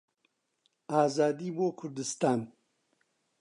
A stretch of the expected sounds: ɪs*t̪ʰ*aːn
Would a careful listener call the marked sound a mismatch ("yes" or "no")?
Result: yes